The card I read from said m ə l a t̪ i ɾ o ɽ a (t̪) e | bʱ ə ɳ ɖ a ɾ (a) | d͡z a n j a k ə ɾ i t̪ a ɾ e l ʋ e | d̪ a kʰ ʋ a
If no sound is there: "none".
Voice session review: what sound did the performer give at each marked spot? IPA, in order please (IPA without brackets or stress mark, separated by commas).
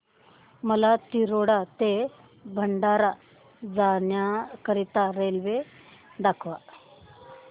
t̪, a